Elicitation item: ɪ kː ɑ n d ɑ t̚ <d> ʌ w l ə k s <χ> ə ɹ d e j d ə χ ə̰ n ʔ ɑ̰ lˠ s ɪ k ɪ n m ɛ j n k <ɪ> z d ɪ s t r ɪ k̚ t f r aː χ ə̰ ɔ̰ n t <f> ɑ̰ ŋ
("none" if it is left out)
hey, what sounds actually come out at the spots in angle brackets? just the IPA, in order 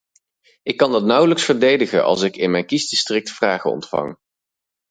n, f, i, f

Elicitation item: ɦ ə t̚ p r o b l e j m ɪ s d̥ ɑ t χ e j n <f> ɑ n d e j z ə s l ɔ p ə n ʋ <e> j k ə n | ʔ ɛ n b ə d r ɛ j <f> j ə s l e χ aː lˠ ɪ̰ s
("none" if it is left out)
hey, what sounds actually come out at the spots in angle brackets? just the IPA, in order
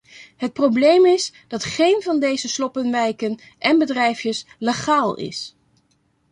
v, ɛ, f

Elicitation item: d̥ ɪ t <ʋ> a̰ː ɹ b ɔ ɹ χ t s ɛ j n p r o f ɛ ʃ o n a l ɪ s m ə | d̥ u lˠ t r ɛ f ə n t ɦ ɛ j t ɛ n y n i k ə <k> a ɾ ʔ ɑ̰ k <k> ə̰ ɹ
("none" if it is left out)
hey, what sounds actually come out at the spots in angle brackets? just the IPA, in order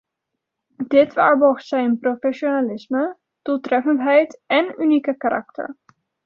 ʋ, k, t

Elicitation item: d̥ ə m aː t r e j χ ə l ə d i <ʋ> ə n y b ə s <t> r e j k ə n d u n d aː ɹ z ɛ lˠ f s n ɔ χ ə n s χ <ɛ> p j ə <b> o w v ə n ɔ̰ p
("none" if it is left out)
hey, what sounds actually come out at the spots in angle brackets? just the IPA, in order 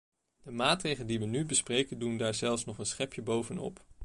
ʋ, p, ɛ, b

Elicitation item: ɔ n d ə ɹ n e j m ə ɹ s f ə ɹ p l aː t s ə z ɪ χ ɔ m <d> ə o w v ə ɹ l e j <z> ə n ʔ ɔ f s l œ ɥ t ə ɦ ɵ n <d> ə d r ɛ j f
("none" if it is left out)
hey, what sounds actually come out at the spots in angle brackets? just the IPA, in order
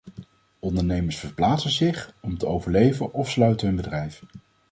t, v, b

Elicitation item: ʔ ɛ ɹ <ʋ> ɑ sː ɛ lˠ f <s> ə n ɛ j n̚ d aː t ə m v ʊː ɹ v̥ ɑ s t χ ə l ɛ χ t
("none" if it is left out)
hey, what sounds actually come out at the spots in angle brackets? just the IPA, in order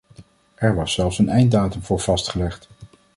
ʋ, s

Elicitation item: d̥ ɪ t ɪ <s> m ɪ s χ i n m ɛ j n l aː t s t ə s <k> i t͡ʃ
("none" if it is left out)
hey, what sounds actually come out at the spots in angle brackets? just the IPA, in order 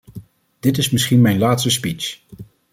s, p

